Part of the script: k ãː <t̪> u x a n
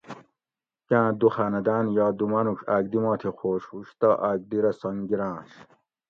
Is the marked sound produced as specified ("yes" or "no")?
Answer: no